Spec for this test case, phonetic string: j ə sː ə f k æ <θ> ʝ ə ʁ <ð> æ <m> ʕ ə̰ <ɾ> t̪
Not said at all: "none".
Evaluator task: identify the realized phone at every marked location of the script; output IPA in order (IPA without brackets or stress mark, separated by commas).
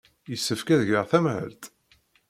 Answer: ð, θ, m, l